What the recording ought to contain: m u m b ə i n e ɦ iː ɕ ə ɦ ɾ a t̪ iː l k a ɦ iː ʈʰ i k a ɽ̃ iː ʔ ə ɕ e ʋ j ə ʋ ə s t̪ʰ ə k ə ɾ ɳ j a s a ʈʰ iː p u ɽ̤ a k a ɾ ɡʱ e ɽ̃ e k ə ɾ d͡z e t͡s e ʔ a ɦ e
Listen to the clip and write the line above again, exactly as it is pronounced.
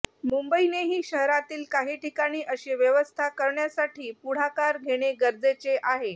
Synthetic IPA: m u m b ə i n e ɦ iː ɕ ə ɦ ɾ a t̪ iː l k a ɦ iː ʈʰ i k a ɽ̃ iː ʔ ə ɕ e ʋ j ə ʋ ə s t̪ʰ a k ə ɾ ɳ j a s a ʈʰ iː p u ɽ̤ a k a ɾ ɡʱ e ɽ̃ e ɡ ə ɾ d͡z e t͡s e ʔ a ɦ e